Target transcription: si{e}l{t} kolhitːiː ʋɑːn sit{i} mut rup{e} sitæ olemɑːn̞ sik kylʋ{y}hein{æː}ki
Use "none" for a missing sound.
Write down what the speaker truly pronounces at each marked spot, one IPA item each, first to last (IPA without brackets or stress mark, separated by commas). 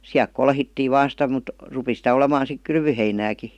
æ, k, æ, i, y, æː